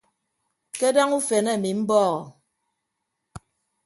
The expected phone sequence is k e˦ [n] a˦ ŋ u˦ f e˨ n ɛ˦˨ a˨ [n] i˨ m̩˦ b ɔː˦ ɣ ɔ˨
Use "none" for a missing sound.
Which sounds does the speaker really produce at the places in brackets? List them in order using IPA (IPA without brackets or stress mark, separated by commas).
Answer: d, m